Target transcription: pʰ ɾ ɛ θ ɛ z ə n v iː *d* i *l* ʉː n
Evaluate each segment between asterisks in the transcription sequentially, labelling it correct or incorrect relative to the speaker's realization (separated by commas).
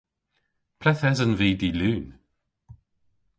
correct, correct